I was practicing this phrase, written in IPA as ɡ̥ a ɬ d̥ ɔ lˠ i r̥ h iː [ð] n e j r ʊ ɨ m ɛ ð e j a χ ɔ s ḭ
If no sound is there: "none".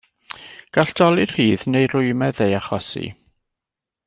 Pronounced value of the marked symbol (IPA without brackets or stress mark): ð